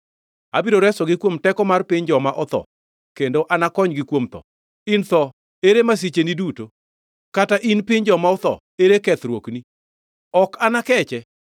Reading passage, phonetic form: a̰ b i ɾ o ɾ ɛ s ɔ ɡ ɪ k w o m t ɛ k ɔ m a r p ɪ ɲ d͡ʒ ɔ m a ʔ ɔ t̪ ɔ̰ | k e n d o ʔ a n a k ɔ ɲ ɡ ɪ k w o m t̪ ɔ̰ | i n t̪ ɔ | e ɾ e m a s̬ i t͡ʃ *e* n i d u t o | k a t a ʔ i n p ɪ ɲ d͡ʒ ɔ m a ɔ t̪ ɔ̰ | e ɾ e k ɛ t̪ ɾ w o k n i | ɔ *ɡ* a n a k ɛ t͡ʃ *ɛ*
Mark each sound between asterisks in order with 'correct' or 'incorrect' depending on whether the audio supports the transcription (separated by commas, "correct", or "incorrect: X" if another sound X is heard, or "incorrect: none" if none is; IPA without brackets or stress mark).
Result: correct, incorrect: k, correct